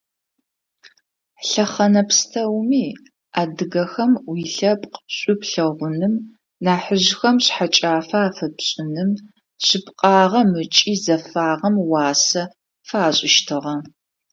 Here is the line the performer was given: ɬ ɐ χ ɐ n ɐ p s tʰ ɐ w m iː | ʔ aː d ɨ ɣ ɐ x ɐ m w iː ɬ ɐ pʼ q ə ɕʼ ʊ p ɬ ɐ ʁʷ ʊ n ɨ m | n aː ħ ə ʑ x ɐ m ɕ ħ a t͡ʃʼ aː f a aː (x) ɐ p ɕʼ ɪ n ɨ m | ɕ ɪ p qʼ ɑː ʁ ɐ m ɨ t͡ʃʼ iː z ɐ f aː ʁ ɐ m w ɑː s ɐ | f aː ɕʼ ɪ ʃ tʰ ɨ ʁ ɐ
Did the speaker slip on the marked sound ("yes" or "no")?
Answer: yes